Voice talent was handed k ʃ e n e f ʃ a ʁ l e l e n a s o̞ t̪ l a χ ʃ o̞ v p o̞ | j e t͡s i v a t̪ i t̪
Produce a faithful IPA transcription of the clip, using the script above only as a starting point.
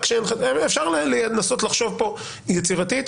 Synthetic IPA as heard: k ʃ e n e f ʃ a ʁ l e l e n a s o̞ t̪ l a χ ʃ o̞ v p o̞ | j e t͡s i ʁ a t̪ i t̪